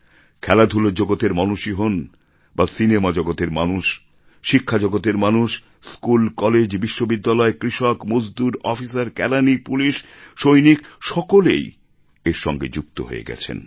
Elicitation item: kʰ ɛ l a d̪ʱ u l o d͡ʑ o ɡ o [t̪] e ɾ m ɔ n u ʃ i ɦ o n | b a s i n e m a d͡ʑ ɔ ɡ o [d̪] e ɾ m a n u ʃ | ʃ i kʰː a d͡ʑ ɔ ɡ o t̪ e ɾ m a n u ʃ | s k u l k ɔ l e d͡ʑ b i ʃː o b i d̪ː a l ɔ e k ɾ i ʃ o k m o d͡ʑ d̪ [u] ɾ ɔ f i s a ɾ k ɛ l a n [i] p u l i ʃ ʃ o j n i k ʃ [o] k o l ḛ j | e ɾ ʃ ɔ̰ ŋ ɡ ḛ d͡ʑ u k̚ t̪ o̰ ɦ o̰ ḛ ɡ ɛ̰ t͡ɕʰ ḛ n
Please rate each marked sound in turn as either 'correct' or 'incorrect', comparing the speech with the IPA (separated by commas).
correct, incorrect, correct, correct, incorrect